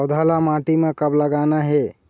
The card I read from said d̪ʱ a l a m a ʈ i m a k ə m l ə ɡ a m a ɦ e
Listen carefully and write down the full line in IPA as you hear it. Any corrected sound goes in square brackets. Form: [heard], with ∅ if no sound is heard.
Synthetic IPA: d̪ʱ a l a m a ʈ i m [e] k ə [b] l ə ɡ a [n] a ɦ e